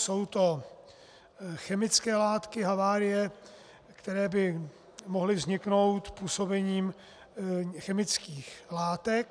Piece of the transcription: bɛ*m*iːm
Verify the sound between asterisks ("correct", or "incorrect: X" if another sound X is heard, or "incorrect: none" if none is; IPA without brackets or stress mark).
incorrect: ɲ